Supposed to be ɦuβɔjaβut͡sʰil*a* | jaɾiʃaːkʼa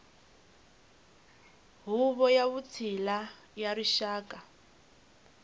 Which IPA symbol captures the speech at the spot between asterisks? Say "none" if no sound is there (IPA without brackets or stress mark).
a